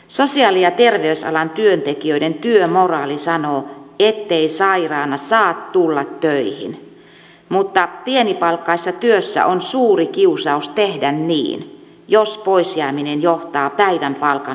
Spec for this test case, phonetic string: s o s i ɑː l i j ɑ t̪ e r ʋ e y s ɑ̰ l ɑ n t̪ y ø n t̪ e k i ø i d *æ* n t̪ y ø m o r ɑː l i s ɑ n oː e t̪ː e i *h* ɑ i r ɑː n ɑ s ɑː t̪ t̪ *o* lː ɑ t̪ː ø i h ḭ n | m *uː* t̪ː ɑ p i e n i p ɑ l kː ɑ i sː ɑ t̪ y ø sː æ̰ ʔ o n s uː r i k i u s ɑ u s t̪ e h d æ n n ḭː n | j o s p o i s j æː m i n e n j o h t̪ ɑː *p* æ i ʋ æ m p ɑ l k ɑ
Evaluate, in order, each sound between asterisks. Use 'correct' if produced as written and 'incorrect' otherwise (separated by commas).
incorrect, incorrect, incorrect, incorrect, correct